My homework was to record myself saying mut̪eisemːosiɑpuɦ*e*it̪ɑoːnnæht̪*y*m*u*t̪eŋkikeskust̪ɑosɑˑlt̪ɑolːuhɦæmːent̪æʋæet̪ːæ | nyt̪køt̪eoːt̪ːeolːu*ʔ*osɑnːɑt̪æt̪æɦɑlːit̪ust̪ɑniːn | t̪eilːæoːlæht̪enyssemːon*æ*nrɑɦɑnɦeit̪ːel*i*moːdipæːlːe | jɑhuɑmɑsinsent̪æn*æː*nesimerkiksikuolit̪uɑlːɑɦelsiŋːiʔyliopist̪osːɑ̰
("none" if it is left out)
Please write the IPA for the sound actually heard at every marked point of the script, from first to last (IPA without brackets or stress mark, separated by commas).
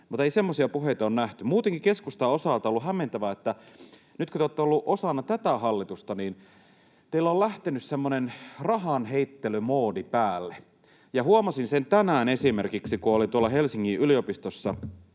e, y, uː, ʔ, e, y, æː